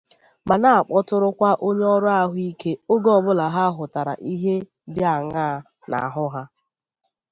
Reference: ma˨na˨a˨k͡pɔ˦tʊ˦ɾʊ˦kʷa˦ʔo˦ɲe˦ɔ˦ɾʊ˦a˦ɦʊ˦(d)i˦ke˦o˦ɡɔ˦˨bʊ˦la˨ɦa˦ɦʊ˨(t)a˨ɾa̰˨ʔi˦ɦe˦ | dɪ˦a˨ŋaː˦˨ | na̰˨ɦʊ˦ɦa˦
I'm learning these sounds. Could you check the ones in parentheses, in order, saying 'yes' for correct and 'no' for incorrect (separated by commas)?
no, yes